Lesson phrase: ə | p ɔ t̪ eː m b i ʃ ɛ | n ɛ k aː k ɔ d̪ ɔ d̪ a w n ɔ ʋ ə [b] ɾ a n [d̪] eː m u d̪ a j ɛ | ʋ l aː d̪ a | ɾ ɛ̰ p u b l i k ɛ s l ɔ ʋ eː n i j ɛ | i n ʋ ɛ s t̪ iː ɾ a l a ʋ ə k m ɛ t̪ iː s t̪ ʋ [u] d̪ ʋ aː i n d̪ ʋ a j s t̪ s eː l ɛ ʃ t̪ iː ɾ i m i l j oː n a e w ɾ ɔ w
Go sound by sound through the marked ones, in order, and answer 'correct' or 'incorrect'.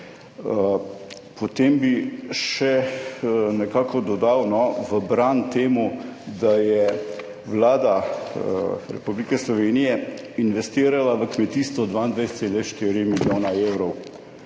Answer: correct, incorrect, incorrect

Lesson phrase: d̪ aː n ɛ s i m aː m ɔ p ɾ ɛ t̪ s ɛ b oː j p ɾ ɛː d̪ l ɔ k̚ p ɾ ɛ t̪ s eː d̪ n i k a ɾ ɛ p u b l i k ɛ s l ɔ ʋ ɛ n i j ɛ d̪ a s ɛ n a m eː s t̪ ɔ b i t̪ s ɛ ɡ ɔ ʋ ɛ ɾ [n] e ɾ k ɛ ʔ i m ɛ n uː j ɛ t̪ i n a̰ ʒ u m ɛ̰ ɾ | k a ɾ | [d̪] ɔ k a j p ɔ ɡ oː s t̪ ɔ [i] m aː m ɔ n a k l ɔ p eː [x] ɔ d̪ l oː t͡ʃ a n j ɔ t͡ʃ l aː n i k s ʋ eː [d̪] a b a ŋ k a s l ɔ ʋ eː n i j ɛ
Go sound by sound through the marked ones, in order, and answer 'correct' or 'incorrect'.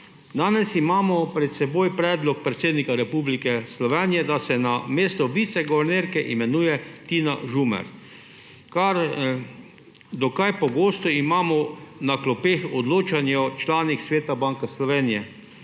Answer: correct, correct, correct, correct, incorrect

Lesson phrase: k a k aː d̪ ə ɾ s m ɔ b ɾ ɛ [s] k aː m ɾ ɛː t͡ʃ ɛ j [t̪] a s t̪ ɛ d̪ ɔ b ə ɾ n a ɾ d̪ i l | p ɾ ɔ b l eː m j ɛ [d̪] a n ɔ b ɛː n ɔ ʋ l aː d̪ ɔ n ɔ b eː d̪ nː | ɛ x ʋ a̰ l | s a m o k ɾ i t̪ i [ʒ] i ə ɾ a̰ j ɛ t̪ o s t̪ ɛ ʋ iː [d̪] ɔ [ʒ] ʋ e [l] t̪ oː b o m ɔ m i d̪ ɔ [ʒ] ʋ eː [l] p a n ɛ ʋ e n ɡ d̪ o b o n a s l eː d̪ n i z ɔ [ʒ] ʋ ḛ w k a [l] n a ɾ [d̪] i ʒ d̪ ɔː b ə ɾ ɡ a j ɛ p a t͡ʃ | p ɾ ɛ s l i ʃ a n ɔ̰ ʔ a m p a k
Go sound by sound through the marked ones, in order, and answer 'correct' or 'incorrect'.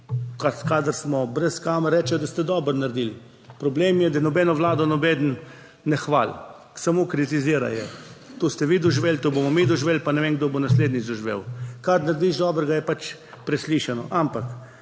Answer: correct, incorrect, correct, incorrect, correct, correct, correct, correct, correct, correct, incorrect, correct

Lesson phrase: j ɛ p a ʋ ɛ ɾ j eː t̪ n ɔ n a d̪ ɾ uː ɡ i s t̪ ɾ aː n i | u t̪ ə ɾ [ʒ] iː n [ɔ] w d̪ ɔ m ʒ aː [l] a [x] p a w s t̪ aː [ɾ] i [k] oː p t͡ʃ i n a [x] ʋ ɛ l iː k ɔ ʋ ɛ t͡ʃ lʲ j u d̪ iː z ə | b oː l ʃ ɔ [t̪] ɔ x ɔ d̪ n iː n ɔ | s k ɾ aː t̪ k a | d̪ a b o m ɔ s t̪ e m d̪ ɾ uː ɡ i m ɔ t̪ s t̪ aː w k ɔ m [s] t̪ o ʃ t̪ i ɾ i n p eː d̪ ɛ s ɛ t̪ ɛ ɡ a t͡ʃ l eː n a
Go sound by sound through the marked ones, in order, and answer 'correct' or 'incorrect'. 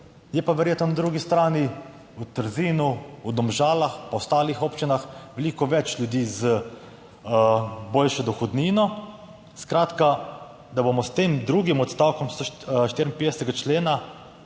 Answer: incorrect, incorrect, correct, correct, incorrect, incorrect, correct, incorrect, correct

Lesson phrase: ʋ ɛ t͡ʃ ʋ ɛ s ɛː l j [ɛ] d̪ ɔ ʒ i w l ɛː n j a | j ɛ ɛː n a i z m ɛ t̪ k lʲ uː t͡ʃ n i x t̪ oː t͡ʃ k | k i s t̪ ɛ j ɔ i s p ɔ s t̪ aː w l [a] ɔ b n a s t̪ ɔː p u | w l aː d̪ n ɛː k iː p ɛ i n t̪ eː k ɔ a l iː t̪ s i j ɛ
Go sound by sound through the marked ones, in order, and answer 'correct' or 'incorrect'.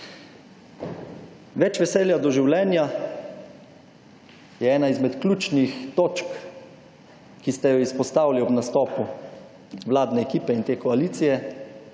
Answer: incorrect, incorrect

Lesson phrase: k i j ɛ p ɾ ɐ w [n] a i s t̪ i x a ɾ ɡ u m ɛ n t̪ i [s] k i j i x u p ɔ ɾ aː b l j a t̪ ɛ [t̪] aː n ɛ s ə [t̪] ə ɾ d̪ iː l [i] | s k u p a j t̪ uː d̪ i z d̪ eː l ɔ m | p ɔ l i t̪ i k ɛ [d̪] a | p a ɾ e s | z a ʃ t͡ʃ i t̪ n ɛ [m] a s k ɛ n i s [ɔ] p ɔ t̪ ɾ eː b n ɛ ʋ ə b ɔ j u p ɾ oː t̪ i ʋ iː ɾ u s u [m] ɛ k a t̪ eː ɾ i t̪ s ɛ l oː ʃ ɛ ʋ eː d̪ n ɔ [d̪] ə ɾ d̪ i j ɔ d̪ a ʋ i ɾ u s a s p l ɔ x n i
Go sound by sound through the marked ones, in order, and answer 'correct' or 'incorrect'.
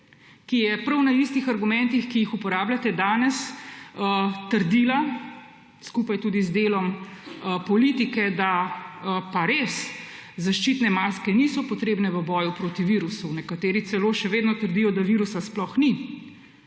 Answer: correct, incorrect, incorrect, correct, incorrect, correct, correct, correct, incorrect, incorrect

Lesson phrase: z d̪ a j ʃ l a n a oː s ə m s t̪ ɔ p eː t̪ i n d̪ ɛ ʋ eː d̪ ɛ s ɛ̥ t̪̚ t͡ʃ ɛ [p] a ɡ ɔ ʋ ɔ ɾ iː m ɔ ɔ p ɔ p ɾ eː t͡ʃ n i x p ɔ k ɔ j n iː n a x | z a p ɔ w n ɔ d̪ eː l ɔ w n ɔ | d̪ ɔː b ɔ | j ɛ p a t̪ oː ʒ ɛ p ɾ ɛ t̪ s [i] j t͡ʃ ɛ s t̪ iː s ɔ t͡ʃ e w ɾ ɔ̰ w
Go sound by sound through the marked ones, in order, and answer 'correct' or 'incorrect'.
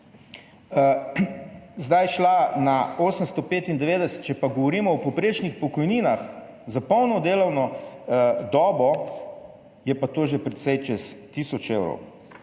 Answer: correct, incorrect

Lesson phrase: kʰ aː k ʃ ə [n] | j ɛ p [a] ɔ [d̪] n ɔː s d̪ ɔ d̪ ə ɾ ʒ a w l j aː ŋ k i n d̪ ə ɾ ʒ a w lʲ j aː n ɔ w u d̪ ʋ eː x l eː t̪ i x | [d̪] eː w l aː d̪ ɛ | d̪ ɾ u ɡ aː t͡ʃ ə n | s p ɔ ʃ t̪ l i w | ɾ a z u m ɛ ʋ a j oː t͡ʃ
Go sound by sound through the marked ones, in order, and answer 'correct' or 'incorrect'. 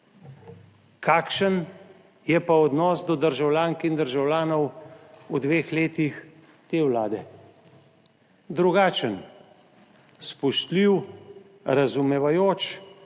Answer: correct, correct, correct, incorrect

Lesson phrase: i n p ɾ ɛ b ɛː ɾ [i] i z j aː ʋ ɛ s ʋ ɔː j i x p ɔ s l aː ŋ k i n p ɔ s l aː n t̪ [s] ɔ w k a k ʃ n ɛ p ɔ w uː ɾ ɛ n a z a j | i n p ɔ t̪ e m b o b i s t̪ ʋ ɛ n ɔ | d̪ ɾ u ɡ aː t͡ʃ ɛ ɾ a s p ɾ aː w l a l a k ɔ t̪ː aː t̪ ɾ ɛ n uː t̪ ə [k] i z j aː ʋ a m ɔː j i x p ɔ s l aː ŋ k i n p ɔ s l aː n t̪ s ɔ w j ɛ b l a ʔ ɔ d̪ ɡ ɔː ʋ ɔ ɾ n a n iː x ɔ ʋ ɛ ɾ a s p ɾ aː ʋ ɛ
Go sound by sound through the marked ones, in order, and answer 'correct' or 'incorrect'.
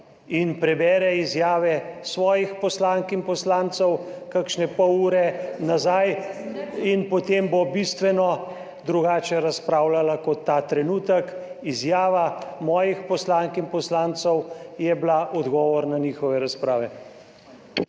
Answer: incorrect, correct, correct

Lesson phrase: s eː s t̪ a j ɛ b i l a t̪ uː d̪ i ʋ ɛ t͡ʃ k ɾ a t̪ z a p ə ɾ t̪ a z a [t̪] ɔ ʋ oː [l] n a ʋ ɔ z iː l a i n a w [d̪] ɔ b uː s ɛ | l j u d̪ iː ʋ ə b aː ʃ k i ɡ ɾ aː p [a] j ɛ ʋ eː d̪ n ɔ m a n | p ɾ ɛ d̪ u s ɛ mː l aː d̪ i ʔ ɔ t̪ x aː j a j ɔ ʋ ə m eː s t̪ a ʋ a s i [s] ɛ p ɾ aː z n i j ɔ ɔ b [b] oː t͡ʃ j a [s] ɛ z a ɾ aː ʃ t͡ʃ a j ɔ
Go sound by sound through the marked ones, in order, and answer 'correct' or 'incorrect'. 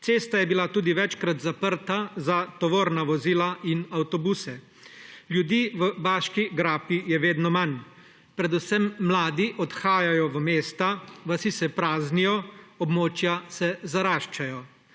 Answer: correct, incorrect, incorrect, incorrect, correct, incorrect, correct

